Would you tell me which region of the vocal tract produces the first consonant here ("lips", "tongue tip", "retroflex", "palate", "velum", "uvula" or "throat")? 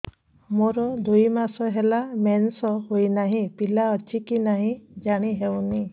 lips